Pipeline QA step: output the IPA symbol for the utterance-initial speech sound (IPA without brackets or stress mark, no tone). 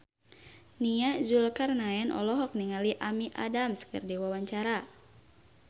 n